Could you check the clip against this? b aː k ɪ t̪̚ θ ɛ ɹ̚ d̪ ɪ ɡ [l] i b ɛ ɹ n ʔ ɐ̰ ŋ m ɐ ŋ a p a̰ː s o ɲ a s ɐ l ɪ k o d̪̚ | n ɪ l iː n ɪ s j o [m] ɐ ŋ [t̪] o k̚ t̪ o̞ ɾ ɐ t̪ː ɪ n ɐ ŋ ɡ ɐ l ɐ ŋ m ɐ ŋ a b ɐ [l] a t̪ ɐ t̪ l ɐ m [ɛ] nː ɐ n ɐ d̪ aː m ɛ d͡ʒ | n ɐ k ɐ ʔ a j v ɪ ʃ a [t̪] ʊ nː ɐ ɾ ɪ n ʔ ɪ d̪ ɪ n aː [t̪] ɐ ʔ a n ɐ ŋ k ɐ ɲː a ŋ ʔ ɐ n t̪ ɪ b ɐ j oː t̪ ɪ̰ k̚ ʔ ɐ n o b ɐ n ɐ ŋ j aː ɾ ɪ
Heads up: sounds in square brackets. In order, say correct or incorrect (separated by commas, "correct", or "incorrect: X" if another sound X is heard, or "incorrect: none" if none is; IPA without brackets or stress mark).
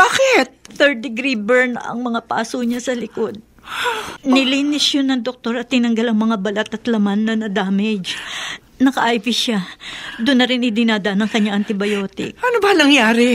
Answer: incorrect: ɾ, incorrect: n, incorrect: d̪, correct, incorrect: a, incorrect: d̪, incorrect: d̪